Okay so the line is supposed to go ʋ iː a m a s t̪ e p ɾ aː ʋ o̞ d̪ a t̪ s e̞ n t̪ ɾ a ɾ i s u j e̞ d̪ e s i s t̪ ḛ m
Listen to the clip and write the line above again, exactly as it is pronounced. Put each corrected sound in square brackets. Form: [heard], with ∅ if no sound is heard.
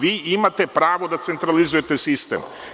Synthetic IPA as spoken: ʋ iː [i] m a [∅] t̪ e p ɾ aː ʋ o̞ d̪ a t̪ s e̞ n t̪ ɾ a [l] i [z] u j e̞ [t̪] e s i s t̪ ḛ m